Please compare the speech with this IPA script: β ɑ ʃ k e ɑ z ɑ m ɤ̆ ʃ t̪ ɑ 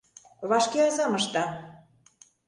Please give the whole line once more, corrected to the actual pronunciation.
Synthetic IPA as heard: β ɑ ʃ k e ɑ z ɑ m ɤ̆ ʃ t̪ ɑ